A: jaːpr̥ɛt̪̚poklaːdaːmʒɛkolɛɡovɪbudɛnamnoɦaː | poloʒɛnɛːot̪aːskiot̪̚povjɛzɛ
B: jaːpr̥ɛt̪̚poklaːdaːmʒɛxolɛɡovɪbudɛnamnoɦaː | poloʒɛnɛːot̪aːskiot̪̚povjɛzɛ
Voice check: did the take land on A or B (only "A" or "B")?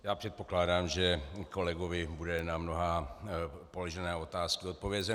A